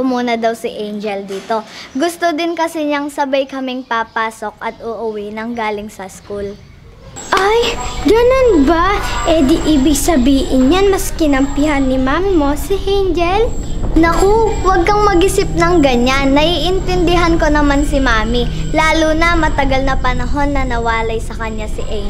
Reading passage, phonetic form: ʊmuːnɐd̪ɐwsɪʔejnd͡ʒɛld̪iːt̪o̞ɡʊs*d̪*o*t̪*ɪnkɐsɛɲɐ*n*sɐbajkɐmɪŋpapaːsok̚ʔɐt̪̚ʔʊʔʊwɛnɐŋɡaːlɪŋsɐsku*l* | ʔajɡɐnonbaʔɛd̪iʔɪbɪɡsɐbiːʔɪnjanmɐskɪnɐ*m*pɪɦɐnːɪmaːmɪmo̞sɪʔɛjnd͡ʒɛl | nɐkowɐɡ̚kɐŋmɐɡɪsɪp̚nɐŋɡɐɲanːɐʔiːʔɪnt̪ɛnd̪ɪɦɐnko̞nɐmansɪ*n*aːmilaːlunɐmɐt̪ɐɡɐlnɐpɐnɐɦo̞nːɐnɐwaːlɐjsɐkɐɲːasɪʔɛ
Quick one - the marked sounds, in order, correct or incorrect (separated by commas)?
incorrect, incorrect, incorrect, correct, correct, incorrect